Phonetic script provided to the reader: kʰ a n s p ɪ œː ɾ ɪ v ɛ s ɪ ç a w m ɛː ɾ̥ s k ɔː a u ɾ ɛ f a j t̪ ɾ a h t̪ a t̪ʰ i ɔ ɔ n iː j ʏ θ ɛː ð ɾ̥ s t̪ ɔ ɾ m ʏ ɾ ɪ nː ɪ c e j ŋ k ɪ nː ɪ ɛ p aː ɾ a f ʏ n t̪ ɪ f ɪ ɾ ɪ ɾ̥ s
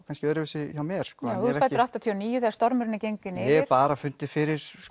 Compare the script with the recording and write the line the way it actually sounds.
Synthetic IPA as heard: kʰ a n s c ɪ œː ɾ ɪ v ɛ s ɪ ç a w m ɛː ɾ̥ s k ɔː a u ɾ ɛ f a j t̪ ɾ a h t̪ a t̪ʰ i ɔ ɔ n iː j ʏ θ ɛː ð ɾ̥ s t̪ ɔ ɾ m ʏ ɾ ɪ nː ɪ c e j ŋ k ɪ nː ɪ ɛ p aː ɾ a f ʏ n t̪ ɪ f ɪ ɾ ɪ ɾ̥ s